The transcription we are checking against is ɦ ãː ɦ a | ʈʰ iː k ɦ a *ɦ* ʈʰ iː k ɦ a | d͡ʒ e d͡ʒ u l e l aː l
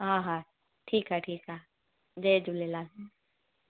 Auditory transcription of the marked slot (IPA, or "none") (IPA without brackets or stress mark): none